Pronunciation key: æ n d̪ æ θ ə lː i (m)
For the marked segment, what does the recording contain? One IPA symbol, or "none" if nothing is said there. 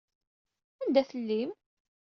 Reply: m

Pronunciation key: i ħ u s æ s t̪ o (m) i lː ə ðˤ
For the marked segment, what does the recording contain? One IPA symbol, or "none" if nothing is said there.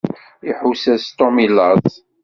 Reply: m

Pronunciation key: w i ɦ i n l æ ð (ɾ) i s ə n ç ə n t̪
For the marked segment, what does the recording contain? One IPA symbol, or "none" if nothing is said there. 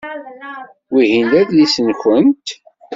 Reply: l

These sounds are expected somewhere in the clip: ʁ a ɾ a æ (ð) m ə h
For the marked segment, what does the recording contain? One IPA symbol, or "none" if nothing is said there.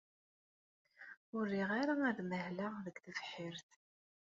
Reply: ð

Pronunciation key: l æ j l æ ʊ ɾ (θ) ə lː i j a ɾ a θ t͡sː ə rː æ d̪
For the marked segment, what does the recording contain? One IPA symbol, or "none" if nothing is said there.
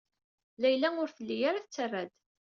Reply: θ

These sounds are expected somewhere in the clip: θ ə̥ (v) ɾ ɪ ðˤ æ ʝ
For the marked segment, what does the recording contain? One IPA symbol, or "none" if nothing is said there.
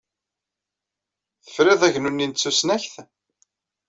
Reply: f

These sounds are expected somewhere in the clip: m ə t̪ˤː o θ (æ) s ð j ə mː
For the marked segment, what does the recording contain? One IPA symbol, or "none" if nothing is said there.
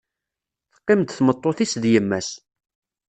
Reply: i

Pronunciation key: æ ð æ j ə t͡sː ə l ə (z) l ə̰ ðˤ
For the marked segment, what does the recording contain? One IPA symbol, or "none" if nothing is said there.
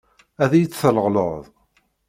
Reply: ʁ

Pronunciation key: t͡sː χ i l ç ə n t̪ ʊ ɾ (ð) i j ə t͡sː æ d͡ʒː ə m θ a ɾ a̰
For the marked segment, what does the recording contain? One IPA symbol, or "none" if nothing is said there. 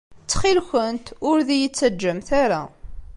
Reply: ð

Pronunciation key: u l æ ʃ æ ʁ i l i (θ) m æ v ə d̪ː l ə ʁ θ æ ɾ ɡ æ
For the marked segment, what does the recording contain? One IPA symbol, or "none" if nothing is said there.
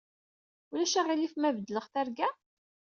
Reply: f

